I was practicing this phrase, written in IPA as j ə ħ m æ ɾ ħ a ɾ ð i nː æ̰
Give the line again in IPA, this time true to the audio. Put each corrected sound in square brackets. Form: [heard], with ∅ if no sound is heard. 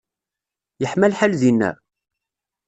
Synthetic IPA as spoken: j ə ħ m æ [l] ħ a [l] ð i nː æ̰